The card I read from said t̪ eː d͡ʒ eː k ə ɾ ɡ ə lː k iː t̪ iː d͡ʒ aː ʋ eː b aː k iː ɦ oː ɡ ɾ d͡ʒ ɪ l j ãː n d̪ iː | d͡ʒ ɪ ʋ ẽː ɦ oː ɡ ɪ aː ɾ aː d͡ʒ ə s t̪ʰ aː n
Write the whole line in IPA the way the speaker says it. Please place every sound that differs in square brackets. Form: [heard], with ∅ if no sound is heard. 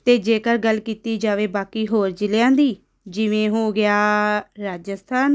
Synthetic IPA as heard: t̪ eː d͡ʒ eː k ə ɾ ɡ ə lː k iː t̪ iː d͡ʒ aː ʋ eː b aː k iː ɦ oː [∅] ɾ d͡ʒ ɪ l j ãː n d̪ iː | d͡ʒ ɪ ʋ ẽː ɦ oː ɡ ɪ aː ɾ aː d͡ʒ ə s t̪ʰ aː n